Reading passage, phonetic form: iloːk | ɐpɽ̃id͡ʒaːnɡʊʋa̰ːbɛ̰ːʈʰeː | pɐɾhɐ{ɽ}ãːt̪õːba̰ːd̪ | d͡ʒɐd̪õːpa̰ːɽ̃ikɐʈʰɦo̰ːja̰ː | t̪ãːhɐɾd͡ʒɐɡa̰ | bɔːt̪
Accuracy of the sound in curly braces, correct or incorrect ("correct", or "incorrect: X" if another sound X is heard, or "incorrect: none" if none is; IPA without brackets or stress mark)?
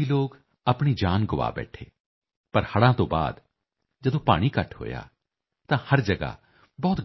correct